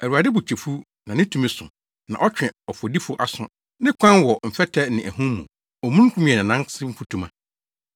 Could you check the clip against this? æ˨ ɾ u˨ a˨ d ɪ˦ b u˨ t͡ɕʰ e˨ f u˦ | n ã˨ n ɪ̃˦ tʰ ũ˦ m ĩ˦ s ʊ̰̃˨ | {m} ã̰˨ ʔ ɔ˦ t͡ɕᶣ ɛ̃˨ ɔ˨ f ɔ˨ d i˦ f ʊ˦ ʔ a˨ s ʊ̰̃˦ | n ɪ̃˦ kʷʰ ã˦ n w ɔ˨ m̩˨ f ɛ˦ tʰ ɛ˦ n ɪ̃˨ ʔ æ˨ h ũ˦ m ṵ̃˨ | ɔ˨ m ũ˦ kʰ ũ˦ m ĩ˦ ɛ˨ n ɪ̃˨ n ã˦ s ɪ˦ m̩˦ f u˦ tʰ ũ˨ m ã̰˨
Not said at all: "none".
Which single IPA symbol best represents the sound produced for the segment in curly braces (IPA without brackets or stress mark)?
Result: n